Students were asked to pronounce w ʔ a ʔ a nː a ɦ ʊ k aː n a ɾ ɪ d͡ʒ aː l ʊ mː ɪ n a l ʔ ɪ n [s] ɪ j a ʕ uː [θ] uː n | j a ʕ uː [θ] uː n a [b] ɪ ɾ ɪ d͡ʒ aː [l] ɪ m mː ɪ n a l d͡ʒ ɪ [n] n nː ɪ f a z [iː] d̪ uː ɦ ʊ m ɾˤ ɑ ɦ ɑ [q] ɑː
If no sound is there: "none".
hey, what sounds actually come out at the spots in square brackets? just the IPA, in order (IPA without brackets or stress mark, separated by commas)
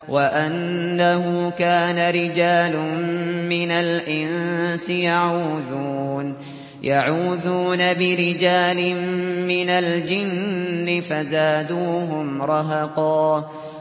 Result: s, ð, ð, b, l, n, aː, q